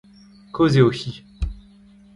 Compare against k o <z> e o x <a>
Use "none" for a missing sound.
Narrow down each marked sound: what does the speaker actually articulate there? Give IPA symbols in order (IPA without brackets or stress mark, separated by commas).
z, i